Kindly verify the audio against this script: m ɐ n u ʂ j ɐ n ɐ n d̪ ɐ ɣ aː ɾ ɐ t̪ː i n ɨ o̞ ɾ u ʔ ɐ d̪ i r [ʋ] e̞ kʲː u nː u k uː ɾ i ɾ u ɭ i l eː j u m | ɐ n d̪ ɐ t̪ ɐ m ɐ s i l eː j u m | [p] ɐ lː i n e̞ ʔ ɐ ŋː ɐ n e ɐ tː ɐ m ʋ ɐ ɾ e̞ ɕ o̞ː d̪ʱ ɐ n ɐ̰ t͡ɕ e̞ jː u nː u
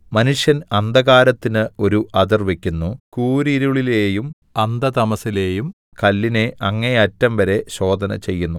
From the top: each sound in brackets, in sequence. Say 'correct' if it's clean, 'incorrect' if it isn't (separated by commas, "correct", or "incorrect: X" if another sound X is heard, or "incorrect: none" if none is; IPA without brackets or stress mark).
correct, incorrect: k